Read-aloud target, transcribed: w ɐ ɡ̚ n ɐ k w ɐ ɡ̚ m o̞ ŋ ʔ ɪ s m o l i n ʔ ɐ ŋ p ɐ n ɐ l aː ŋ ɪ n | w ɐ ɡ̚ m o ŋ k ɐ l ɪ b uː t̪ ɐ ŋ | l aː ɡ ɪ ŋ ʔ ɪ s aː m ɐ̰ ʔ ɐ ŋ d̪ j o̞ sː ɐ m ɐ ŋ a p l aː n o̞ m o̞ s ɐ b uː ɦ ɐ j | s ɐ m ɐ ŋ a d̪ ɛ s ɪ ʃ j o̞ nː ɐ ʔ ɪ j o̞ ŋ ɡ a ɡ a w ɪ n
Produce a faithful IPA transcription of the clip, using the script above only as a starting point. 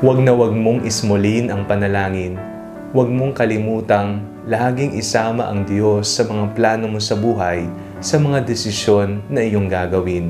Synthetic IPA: w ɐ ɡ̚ n ɐ w ɐ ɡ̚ m o̞ ŋ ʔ ɪ s m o l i n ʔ ɐ ŋ p ɐ n ɐ l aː ŋ ɪ n | w ɐ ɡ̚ m o ŋ k ɐ l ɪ m uː t̪ ɐ ŋ | l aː ɡ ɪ ŋ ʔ ɪ s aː m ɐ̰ ʔ ɐ ŋ d̪ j o̞ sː ɐ m ɐ ŋ a p l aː n o̞ m o̞ s ɐ b uː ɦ ɐ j | s ɐ m ɐ ŋ a d̪ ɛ s ɪ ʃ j o̞ nː ɐ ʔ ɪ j o̞ ŋ ɡ a ɡ ɐ w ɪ n